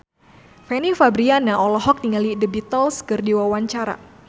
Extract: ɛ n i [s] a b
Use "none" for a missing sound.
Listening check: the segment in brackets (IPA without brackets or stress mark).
f